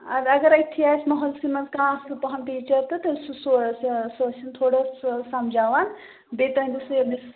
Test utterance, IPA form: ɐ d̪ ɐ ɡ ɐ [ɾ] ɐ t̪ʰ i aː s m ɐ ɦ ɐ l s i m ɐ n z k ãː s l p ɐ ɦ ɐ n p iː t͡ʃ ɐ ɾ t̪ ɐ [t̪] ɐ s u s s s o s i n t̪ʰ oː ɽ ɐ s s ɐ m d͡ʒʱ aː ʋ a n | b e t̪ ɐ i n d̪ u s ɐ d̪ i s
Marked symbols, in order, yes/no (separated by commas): yes, yes